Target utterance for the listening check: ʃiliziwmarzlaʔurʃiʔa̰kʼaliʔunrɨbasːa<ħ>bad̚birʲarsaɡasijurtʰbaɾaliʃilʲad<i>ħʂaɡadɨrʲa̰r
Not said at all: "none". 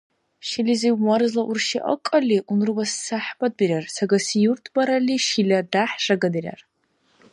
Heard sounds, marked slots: ħ, a

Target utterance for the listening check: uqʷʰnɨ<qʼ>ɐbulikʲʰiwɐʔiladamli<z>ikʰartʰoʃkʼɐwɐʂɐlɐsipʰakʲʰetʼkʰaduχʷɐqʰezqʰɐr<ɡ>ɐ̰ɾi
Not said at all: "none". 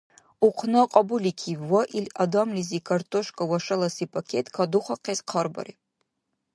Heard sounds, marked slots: qʼ, z, b

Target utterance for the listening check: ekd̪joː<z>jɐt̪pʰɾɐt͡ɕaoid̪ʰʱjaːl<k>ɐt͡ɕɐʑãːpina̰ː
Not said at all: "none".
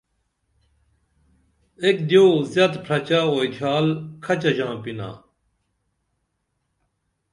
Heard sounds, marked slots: z, kʰ

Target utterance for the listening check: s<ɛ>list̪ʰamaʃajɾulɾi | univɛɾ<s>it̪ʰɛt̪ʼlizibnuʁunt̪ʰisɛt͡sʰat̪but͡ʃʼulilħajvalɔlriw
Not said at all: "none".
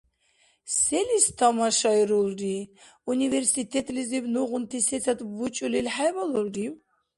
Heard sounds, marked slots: ɛ, s

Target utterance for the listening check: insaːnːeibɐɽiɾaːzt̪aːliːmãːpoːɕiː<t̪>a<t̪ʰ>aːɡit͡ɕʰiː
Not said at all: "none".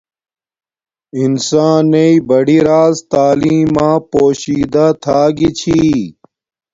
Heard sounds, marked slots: d̪, t̪ʰ

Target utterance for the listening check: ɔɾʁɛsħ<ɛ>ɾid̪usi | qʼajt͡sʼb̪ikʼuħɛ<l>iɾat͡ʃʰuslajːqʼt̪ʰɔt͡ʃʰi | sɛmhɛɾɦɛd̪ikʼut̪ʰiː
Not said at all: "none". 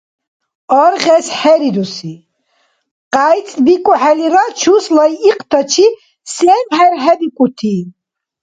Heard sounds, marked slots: ɛ, l

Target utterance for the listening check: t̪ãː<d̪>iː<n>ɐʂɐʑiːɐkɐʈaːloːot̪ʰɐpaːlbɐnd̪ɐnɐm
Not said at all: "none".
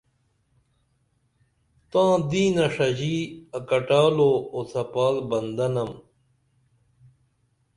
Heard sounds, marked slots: d̪, n

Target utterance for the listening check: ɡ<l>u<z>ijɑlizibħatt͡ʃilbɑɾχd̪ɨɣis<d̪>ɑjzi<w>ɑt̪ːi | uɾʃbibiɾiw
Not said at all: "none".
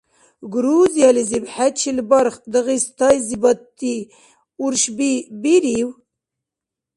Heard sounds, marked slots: ɾ, z, t̪, b

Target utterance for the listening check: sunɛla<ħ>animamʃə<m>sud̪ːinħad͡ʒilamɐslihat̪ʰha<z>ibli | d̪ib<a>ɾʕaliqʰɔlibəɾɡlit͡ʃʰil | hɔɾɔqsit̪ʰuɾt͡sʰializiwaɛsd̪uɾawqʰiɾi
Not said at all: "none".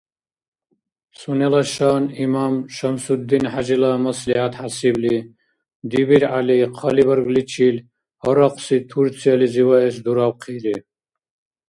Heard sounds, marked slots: ʃ, m, s, i

